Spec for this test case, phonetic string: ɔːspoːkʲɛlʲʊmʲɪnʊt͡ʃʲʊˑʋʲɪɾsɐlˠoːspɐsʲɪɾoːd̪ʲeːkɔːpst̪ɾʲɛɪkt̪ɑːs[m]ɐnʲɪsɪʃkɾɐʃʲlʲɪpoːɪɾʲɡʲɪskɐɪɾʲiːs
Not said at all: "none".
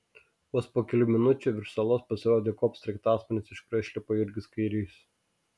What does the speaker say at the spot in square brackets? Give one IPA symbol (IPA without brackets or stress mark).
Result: m